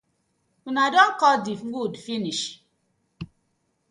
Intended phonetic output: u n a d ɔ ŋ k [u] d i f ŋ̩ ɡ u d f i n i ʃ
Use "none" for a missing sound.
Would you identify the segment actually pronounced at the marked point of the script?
ɔ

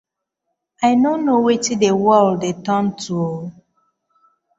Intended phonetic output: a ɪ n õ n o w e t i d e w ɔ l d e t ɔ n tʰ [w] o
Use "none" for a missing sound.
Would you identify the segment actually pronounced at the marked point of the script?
u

